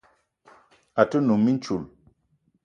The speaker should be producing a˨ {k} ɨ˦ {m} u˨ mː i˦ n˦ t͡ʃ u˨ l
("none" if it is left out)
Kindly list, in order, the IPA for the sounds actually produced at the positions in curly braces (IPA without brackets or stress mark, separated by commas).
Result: t, n